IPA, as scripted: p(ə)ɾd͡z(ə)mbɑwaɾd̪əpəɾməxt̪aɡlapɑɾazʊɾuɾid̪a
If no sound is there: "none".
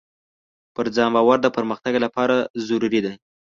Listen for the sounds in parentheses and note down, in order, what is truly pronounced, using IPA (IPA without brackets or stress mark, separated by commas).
ə, ɑ